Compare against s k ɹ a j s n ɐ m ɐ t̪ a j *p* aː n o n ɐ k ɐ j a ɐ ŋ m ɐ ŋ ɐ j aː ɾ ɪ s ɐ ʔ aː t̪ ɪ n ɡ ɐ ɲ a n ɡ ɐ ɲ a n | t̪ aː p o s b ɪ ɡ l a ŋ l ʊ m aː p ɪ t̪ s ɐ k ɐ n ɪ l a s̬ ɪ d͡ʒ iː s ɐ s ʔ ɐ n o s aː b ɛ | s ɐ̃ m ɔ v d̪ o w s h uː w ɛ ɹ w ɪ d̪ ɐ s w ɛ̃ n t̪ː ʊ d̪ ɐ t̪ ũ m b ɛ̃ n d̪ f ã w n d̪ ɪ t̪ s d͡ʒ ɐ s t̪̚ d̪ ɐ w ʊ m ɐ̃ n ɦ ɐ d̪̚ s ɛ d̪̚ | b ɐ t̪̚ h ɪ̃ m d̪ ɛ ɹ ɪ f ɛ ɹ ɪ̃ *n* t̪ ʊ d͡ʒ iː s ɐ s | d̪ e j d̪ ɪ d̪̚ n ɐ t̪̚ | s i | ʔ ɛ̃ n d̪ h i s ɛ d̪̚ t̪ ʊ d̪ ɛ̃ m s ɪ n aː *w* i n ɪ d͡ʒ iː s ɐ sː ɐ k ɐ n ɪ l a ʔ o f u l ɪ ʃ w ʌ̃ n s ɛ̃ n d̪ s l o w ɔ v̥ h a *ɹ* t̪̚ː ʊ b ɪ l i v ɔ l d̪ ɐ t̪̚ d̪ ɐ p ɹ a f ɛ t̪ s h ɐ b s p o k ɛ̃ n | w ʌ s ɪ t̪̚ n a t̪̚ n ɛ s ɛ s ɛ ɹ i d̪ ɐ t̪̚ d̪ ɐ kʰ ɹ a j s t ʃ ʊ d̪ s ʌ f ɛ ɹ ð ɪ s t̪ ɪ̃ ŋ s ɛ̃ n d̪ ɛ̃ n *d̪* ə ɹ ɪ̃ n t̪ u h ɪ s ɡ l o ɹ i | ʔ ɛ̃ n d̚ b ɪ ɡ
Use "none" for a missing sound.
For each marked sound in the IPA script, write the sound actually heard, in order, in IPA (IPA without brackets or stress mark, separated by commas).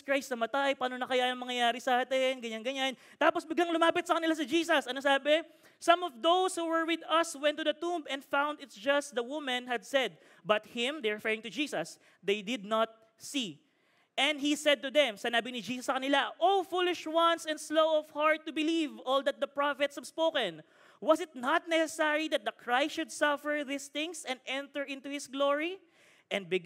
p, ŋ, b, ɹ, t̪